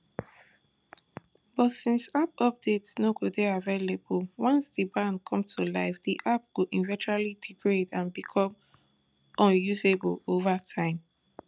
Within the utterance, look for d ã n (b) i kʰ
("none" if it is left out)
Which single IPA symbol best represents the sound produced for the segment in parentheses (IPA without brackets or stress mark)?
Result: b